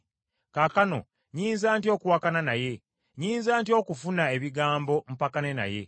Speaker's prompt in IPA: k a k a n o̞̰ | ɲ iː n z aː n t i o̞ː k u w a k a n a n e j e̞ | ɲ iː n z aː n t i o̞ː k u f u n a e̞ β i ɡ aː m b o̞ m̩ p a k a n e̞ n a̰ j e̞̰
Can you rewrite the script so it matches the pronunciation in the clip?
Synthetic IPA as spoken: k a k a n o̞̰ | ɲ iː n z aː n t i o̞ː k u w a k a n a n a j e̞ | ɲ iː n z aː n t i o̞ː k u f u n a e̞ β i ɡ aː m b o̞ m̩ p a k a n e̞ n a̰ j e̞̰